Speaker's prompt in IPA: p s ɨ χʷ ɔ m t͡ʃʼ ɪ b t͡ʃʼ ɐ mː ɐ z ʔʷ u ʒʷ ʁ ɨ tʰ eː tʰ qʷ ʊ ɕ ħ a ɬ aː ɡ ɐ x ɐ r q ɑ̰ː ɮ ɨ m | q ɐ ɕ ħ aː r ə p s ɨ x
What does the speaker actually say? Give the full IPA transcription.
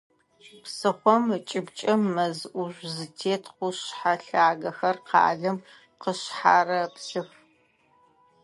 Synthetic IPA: p s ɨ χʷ ɔ m t͡ʃʼ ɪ b t͡ʃʼ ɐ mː ɐ z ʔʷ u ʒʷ z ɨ tʰ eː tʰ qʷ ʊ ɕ ħ a ɬ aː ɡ ɐ x ɐ r q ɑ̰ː ɮ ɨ m | q ə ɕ ħ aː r ɐ p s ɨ x